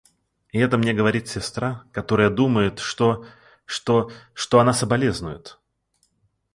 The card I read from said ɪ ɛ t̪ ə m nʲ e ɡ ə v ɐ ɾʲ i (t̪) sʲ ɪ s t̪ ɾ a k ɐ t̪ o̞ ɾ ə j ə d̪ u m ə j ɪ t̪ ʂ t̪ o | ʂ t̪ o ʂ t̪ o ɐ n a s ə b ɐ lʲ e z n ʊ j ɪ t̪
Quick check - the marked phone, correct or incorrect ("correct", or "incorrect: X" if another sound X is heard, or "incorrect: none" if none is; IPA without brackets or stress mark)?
correct